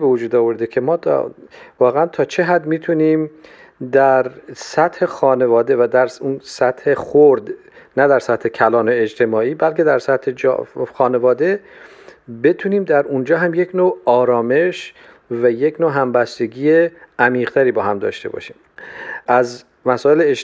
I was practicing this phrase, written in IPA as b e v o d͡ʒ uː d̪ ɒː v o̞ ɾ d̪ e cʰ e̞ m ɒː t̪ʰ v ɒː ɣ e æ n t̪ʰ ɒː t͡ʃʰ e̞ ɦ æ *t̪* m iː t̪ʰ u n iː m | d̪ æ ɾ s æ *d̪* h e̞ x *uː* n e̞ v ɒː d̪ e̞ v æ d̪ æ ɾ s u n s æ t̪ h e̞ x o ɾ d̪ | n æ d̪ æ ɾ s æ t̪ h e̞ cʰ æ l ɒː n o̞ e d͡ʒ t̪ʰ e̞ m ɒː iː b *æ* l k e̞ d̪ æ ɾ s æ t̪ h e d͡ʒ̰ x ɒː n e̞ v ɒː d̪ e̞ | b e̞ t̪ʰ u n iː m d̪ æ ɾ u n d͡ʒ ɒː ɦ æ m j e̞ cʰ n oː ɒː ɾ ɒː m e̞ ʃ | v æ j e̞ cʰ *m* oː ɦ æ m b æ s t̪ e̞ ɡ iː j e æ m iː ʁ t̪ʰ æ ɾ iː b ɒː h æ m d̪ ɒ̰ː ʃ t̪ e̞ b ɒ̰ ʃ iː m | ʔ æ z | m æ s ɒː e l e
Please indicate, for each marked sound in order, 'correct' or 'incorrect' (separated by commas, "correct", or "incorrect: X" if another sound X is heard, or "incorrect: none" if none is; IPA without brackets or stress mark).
incorrect: d̪, incorrect: t̪, incorrect: ɒː, correct, incorrect: n